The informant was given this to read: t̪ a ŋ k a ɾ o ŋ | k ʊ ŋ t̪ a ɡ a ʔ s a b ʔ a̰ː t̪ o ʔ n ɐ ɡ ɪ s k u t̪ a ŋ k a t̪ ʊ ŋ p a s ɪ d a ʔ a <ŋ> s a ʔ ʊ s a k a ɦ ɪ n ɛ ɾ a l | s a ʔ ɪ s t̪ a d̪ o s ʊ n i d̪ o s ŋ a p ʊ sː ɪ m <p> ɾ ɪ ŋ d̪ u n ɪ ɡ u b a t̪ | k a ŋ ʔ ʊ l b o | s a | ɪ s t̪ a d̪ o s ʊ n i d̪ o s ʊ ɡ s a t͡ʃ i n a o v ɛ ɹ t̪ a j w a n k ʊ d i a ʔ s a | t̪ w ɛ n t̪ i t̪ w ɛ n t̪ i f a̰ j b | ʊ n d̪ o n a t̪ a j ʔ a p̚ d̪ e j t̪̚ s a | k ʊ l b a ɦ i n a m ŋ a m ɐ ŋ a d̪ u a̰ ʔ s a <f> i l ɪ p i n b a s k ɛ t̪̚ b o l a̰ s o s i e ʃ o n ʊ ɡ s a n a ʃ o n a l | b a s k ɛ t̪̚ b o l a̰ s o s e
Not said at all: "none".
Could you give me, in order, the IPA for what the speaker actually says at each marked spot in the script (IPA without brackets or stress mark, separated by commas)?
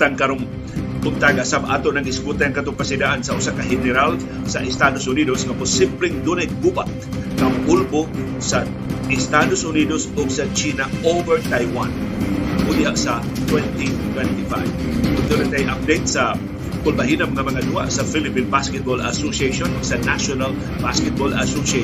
n, p, f